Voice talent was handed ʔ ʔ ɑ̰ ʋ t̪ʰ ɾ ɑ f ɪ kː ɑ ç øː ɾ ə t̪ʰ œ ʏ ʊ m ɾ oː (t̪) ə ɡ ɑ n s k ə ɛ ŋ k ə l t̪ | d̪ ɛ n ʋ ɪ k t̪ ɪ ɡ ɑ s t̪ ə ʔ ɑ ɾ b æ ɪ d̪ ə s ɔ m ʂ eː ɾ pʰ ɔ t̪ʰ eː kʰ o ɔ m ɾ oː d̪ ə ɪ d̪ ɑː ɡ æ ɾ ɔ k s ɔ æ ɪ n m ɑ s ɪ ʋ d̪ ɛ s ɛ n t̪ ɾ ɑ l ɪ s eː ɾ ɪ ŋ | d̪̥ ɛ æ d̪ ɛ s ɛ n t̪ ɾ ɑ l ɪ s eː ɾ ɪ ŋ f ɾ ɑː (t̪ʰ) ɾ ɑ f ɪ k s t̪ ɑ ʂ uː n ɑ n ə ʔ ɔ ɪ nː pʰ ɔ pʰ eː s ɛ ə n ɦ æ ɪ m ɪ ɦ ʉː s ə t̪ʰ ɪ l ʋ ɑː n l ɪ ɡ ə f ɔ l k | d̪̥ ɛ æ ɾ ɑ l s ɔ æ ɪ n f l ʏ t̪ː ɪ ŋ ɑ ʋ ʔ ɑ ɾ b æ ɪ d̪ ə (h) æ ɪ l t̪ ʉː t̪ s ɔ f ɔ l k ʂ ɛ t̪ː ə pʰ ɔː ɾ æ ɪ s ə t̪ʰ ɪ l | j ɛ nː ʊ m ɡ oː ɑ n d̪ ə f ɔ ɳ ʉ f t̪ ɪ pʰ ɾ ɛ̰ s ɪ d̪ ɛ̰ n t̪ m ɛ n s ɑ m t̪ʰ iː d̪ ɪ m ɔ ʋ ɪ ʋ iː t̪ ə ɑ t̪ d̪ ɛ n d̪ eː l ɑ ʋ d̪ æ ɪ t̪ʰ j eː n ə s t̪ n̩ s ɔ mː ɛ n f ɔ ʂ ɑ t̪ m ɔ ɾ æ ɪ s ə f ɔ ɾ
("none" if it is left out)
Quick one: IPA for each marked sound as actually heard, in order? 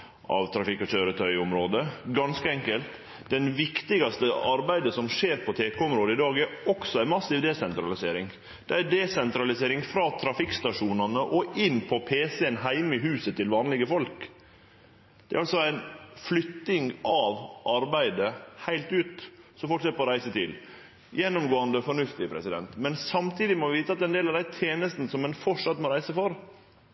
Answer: d̪, t̪ʰ, h

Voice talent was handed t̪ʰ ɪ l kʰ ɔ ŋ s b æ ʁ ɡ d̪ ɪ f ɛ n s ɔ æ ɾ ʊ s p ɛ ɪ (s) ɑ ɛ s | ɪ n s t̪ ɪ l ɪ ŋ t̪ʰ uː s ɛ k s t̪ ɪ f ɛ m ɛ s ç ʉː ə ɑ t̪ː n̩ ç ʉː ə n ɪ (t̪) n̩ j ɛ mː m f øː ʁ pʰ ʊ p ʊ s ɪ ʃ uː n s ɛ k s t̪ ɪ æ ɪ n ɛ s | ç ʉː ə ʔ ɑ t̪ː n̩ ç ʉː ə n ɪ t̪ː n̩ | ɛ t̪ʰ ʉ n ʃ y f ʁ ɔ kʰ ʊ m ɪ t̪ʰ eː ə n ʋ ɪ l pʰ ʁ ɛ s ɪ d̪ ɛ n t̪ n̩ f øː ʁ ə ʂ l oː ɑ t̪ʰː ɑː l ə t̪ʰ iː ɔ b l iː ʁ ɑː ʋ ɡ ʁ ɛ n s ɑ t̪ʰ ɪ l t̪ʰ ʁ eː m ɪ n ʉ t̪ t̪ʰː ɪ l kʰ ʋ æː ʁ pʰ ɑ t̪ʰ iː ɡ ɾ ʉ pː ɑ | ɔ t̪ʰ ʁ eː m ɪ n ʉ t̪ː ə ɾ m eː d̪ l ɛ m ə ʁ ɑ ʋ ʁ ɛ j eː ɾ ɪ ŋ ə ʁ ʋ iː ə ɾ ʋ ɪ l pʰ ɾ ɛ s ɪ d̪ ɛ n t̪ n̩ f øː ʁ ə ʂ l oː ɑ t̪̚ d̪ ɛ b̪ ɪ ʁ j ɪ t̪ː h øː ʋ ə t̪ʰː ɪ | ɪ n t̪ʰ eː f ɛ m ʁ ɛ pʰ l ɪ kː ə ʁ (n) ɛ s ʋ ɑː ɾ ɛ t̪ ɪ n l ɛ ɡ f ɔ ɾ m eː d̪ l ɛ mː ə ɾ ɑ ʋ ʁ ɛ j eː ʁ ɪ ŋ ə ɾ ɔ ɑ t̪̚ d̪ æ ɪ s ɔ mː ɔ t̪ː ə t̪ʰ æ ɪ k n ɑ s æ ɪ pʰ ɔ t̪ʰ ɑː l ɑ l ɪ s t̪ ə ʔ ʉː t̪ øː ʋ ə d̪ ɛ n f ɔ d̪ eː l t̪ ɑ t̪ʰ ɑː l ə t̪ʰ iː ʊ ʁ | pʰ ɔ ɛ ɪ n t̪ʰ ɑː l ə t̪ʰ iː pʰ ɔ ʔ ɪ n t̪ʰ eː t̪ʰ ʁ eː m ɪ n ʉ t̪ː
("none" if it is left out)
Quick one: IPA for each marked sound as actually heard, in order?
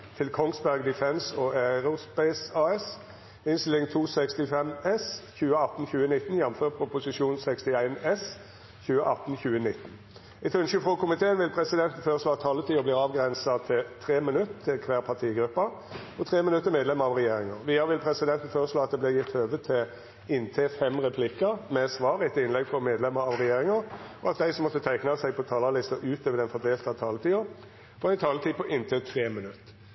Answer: s, t̪, m

